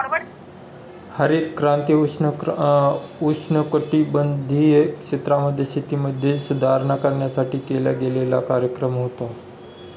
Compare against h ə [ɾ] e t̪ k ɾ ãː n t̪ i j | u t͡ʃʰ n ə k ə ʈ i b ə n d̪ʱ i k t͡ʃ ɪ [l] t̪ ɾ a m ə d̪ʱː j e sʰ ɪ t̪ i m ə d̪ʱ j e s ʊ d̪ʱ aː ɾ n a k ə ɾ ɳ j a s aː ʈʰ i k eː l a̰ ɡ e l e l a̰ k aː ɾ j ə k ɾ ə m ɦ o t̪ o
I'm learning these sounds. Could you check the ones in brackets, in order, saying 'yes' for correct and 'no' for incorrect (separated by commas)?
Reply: yes, no